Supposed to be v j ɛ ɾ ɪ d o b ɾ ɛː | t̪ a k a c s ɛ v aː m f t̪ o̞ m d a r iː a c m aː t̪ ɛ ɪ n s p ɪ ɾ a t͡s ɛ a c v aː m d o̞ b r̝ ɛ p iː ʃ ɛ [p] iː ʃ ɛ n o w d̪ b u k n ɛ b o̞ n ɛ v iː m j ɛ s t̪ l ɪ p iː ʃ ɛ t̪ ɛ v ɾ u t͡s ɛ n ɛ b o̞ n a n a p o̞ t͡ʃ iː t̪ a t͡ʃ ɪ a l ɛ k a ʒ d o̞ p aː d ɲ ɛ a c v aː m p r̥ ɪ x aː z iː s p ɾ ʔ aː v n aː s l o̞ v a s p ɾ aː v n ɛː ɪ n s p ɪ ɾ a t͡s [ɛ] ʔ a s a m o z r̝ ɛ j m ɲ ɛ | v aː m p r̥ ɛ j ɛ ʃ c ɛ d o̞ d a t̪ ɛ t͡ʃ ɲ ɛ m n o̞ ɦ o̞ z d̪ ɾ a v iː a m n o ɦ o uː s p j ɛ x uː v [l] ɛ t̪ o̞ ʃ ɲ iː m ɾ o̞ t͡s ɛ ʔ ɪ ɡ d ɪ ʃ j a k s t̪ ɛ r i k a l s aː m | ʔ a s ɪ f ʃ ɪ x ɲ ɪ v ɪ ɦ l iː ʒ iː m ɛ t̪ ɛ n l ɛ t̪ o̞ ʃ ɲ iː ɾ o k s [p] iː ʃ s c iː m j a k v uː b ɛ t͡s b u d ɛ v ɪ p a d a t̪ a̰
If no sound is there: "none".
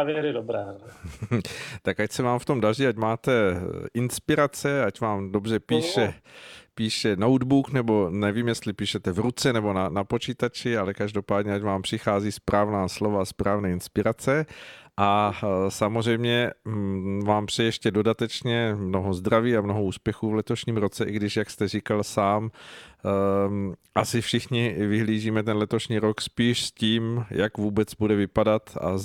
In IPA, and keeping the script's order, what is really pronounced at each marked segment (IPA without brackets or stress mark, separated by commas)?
p, ɛ, l, p